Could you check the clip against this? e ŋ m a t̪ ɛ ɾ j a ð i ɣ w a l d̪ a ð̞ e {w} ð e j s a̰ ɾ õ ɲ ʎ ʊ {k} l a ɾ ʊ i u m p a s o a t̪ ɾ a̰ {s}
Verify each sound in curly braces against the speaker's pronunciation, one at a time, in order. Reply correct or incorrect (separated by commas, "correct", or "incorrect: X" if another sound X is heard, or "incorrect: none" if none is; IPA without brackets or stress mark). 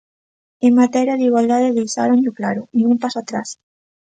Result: incorrect: none, correct, correct